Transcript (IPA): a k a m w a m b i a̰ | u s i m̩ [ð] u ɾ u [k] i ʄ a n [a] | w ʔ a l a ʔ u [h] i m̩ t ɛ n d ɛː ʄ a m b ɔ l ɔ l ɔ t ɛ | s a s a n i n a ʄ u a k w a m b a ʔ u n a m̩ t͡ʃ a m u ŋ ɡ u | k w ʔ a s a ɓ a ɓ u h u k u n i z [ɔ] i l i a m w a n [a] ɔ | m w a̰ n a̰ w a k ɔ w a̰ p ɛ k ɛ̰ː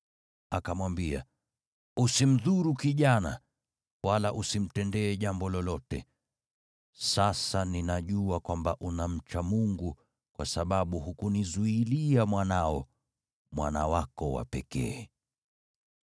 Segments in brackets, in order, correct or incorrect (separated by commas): correct, correct, correct, incorrect, incorrect, correct